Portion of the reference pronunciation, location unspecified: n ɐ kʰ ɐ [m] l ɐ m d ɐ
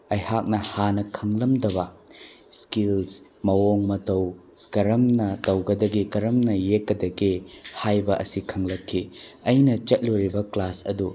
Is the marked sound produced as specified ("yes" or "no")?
no